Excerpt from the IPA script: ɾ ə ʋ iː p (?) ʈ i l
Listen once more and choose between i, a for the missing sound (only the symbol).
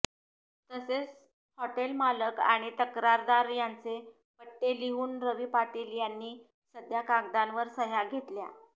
a